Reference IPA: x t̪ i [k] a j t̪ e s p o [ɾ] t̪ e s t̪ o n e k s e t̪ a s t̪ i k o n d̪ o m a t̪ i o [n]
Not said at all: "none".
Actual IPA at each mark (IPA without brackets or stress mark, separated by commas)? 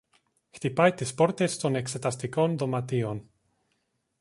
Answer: p, ɾ, n